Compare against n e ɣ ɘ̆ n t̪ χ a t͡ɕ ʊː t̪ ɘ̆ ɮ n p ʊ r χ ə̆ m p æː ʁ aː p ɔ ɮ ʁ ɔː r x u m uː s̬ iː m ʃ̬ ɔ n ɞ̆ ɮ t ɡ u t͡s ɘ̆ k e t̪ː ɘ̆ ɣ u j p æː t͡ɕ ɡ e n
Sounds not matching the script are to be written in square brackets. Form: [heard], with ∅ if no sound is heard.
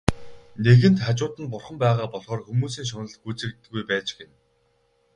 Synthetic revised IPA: n e ɣ ɘ̆ n t̪ χ a t͡ɕ ʊː t̪ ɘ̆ [∅] n p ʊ r χ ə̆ m p æː ʁ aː p ɔ ɮ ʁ ɔː r x u m uː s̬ iː [ŋ] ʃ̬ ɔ n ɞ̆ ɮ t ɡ u t͡s ɘ̆ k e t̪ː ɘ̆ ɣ u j p æː t͡ɕ ɡ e n